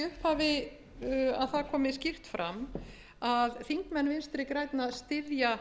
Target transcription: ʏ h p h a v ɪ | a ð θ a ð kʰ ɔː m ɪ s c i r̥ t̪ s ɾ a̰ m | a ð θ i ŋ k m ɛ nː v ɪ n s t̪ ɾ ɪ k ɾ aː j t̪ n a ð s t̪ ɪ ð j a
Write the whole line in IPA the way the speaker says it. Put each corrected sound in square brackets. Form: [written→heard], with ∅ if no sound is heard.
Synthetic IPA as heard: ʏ h p h a v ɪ | a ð θ a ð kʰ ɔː m ɪ s c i r̥ t̪ [s→f] ɾ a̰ m | a ð θ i ŋ k m ɛ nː v ɪ n s t̪ ɾ ɪ k ɾ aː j t̪ n a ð s t̪ ɪ ð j a